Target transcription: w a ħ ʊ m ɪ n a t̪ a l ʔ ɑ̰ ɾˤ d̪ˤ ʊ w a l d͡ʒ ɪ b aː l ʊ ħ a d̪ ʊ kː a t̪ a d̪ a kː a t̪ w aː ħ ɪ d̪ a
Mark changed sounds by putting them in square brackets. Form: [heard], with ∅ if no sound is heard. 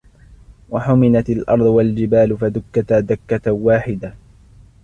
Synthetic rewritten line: w a ħ ʊ m ɪ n a t̪ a l ʔ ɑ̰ ɾˤ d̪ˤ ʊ w a l d͡ʒ ɪ b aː l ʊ [f] a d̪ ʊ kː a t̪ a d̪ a kː a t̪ w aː ħ ɪ d̪ a